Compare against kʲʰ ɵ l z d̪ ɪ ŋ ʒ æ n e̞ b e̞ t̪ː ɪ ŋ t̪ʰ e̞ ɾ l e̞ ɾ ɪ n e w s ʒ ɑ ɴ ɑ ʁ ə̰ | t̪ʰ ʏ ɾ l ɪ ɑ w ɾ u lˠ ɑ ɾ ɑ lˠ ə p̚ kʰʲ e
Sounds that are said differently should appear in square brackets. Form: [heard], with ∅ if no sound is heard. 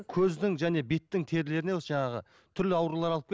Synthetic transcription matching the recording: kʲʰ ɵ [∅] z d̪ ɪ ŋ ʒ æ n e̞ b e̞ t̪ː ɪ ŋ t̪ʰ e̞ ɾ l e̞ ɾ ɪ n e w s ʒ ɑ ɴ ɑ ʁ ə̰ | t̪ʰ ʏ ɾ l ɪ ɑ w ɾ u lˠ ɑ ɾ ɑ lˠ ə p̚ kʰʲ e